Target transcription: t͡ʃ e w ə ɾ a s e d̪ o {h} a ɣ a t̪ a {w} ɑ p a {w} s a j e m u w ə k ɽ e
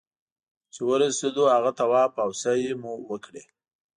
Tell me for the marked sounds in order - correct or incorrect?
correct, correct, correct

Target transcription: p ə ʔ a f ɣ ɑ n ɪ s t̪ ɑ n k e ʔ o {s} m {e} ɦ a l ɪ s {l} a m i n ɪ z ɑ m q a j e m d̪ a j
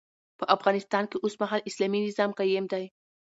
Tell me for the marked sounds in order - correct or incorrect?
correct, incorrect: a, correct

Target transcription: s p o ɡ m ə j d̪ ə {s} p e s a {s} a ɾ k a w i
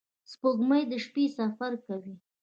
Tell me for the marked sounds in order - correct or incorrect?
incorrect: ʃ, incorrect: f

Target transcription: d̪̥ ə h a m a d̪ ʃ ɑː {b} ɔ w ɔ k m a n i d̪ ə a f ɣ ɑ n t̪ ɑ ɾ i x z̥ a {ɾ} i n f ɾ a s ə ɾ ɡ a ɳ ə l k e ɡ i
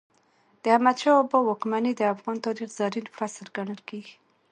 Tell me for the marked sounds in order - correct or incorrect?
correct, correct

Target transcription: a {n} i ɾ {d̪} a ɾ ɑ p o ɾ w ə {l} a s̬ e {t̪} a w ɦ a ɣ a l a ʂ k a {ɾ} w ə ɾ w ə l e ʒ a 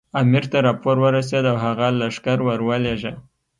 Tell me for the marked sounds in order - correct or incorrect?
incorrect: m, incorrect: t̪, incorrect: ɾ, incorrect: d̪, correct

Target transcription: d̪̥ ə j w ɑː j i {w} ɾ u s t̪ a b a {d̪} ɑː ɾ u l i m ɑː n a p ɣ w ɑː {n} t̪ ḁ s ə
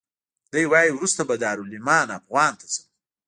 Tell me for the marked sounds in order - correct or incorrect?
correct, correct, correct

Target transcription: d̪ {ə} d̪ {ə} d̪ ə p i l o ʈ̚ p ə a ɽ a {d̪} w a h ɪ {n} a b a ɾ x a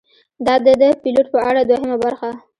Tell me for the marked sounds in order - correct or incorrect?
incorrect: ɑ, correct, correct, incorrect: m

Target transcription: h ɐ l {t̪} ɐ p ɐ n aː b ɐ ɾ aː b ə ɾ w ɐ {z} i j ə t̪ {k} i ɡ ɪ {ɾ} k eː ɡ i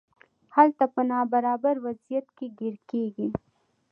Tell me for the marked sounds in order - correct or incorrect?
correct, correct, correct, correct

